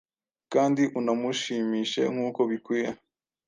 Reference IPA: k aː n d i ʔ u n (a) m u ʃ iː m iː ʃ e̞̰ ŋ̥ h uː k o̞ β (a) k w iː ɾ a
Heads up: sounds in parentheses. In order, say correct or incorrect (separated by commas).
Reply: correct, incorrect